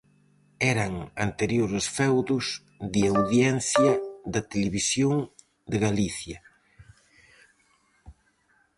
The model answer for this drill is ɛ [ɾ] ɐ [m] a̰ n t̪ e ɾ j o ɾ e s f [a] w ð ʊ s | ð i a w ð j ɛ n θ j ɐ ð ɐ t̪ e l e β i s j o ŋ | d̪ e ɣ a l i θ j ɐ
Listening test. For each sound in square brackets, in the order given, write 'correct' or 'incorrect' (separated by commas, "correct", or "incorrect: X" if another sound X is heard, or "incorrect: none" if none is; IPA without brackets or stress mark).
correct, incorrect: ŋ, incorrect: ɛ